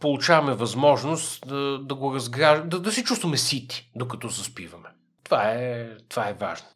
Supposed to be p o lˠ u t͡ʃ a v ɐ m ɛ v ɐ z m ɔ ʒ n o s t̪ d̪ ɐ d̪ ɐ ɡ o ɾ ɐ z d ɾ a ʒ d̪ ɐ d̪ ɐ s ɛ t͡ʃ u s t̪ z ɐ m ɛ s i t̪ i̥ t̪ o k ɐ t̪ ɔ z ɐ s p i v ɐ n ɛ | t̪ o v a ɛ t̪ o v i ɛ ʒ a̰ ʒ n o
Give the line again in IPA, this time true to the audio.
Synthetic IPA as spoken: p o lˠ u t͡ʃ a v ɐ m ɛ v ɐ z m ɔ ʒ n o s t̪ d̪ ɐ d̪ ɐ ɡ o ɾ ɐ z ɡ ɾ a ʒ d̪ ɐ d̪ ɐ s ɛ t͡ʃ u s t̪ v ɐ m ɛ s i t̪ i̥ d̪ o k ɐ t̪ ɔ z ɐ s p i v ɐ m ɛ | t̪ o v a ɛ t̪ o v a ɛ v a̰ ʒ n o